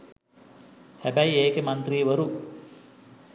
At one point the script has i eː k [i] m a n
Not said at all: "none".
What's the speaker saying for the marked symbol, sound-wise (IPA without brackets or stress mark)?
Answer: e